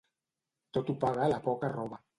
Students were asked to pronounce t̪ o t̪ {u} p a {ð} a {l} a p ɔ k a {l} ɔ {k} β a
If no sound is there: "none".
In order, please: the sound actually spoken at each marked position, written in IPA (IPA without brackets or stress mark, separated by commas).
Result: u, ɣ, l, r, none